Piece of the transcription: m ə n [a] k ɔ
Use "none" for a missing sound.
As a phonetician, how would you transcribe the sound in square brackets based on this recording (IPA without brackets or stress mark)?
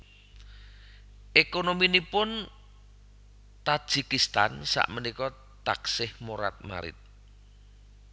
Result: i